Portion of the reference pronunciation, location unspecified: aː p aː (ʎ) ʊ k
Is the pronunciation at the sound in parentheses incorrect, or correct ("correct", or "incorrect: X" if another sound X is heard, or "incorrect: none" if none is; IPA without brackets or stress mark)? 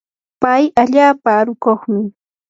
incorrect: ɾ